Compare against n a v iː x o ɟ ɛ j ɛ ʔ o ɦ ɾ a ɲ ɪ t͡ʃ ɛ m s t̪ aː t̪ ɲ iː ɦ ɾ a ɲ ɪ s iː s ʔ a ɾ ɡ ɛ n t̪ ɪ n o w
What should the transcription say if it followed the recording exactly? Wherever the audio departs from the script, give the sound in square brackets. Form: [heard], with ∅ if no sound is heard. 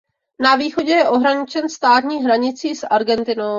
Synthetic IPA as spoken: n a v iː x o ɟ ɛ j ɛ ʔ o ɦ ɾ a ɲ ɪ t͡ʃ ɛ [n] s t̪ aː t̪ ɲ iː ɦ ɾ a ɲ ɪ [t͡s] iː s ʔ a ɾ ɡ ɛ n t̪ ɪ n o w